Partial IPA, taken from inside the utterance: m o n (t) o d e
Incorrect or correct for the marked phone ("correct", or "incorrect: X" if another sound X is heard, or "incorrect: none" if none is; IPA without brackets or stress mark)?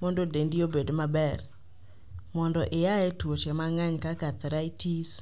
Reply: incorrect: d